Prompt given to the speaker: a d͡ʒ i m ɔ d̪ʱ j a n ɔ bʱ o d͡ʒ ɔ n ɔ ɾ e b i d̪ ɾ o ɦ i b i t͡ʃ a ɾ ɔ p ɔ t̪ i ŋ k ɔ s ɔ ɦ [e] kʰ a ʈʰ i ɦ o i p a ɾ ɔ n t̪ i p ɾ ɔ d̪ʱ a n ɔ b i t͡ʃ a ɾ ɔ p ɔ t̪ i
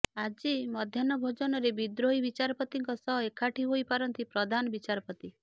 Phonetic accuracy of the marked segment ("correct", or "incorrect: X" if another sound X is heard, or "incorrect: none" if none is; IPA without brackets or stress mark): correct